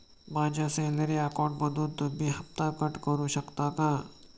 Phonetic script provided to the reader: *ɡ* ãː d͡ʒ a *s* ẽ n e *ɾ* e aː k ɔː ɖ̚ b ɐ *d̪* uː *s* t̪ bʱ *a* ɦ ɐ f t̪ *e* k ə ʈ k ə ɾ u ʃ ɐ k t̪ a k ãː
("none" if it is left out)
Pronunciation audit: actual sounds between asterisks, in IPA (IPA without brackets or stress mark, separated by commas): b, s, ɾ, d̪, none, i, a